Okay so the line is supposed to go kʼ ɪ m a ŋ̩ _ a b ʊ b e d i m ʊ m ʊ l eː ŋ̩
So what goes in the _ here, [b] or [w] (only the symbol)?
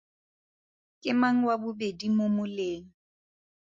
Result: w